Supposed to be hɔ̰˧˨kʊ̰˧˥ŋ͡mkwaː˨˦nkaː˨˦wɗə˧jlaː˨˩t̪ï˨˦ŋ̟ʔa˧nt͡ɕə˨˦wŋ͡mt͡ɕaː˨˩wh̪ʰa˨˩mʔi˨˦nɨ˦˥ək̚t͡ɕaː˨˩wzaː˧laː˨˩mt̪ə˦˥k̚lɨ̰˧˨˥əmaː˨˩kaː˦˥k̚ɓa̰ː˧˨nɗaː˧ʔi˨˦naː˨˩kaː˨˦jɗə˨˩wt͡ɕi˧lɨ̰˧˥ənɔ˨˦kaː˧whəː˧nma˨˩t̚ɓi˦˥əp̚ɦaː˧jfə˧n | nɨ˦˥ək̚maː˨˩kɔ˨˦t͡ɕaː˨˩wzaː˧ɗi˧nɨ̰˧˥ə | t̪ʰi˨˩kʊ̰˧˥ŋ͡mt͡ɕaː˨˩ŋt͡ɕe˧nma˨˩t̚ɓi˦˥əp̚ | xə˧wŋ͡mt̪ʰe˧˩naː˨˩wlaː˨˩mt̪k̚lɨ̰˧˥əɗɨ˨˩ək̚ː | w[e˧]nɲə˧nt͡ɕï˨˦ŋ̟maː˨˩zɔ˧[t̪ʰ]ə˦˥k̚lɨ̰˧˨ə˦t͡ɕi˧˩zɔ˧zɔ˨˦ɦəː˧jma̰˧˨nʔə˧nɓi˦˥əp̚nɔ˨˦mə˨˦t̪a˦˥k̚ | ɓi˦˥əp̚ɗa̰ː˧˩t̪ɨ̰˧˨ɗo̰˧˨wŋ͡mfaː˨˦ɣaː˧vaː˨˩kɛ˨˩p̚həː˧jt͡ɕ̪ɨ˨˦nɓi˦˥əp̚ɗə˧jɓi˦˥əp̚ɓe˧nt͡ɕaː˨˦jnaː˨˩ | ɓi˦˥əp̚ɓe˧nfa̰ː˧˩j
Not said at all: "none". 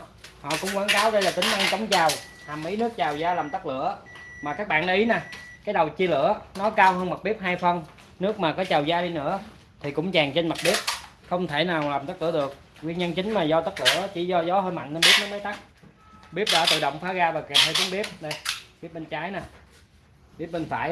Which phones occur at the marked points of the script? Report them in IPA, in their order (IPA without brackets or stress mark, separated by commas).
i˧, t̪